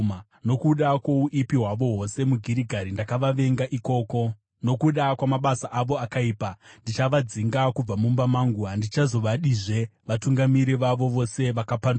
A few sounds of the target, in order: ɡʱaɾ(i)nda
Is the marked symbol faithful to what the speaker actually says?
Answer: yes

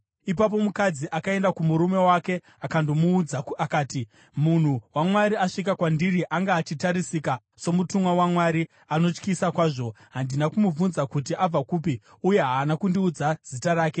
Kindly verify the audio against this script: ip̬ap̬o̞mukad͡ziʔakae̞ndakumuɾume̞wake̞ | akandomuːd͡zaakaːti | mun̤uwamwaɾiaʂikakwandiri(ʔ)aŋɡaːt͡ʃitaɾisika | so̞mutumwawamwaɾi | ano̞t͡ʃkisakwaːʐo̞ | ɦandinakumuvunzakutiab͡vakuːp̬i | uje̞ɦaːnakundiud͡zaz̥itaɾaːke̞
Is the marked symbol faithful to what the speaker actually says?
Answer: yes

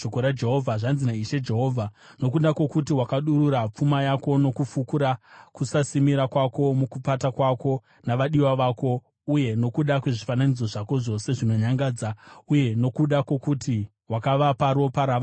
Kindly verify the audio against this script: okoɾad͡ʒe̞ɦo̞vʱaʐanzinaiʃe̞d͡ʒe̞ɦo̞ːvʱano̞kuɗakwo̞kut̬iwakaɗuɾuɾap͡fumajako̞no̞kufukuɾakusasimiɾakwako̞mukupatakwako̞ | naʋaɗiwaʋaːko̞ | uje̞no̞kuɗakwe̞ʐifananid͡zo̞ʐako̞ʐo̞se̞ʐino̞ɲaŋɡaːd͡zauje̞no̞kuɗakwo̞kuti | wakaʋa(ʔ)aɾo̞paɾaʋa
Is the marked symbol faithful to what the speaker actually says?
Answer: no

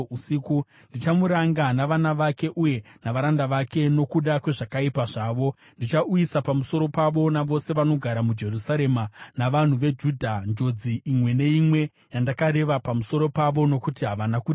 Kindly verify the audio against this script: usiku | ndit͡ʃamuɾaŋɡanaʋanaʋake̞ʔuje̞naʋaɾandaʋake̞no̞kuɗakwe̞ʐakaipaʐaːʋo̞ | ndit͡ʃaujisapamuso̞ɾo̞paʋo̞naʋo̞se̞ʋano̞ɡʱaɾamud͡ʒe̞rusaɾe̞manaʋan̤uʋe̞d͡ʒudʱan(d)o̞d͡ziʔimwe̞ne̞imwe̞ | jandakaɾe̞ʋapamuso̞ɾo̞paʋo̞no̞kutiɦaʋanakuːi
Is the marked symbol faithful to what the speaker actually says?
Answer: no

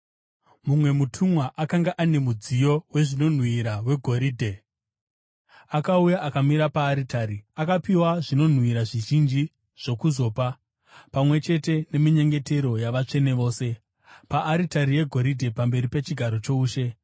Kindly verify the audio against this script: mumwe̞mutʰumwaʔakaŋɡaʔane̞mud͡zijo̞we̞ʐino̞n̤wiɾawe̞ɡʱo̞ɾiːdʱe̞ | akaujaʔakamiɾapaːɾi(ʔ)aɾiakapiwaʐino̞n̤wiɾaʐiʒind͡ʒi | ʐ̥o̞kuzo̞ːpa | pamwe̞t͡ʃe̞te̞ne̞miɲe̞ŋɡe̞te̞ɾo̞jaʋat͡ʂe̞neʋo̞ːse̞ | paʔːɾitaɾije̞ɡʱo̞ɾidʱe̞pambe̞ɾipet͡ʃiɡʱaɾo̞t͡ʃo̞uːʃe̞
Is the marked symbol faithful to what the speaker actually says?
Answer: no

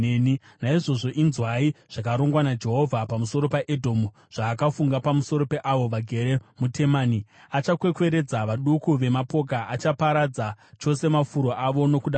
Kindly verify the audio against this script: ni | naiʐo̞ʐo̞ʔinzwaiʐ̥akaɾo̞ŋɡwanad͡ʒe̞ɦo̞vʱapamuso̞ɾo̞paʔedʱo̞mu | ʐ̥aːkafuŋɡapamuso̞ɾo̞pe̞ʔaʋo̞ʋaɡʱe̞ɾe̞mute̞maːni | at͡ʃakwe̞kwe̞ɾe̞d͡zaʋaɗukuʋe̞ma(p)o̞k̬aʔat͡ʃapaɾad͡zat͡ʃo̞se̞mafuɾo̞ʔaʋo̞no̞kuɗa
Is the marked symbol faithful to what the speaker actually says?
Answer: yes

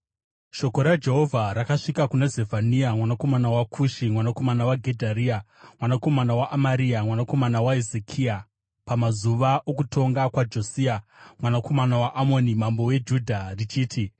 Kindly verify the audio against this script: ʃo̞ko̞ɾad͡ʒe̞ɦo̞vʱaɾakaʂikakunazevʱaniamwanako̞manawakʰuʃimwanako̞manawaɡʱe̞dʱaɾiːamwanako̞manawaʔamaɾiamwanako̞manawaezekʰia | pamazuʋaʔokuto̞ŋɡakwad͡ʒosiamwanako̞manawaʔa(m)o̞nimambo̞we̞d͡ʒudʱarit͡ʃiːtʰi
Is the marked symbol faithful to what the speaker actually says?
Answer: yes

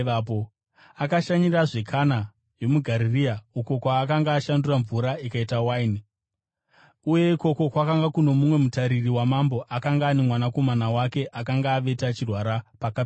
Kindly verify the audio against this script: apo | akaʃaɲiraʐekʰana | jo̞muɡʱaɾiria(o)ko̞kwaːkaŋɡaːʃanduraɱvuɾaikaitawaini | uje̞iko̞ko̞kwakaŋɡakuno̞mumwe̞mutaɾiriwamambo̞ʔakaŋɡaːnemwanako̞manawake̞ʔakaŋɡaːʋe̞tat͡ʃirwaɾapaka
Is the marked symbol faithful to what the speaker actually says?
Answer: no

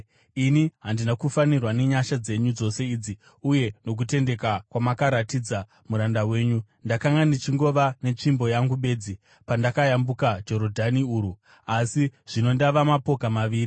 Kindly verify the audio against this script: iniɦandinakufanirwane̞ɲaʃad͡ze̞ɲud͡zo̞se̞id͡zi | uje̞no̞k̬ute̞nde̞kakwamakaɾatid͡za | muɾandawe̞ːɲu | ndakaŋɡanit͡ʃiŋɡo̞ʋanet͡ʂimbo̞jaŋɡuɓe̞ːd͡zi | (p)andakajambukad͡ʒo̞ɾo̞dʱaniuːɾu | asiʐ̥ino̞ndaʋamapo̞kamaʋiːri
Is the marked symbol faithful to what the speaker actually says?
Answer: yes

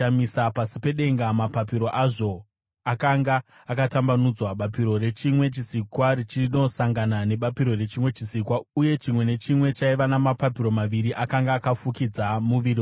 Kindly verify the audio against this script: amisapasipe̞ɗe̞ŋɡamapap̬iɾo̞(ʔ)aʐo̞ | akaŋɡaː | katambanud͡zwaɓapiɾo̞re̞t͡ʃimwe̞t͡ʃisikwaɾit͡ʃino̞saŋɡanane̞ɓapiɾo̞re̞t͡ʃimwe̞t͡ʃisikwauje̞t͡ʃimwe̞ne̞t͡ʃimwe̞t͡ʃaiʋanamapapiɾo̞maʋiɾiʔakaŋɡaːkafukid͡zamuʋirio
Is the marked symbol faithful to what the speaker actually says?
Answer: yes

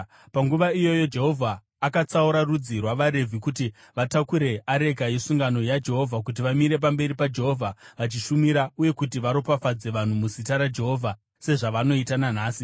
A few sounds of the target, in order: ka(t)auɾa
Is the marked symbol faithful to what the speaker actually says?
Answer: no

